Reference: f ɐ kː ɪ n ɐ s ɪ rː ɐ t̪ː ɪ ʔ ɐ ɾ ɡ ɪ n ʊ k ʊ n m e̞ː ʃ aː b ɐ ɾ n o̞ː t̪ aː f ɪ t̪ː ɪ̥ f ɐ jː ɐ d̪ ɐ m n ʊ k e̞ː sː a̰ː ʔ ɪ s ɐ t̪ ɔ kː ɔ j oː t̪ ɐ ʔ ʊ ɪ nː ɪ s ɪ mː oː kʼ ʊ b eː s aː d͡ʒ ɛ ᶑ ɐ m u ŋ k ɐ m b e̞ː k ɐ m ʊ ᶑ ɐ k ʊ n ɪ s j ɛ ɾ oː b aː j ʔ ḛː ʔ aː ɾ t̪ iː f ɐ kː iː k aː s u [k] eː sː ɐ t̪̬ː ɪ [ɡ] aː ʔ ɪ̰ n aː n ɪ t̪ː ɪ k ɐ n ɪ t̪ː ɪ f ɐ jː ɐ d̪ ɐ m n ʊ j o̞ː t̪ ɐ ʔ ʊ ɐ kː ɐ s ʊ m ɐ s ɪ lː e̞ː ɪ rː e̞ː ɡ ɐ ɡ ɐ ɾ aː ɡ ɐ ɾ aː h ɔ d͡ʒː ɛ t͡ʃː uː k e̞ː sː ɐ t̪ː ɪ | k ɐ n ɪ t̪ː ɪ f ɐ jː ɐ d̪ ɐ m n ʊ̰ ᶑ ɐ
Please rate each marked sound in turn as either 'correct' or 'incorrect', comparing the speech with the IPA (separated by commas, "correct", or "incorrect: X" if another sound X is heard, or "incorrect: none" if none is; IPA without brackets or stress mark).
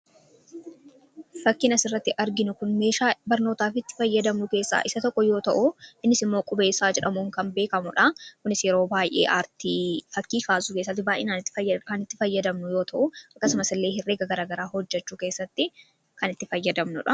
correct, incorrect: b